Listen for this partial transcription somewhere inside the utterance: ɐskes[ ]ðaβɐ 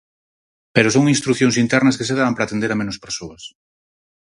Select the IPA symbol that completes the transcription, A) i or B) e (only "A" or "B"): B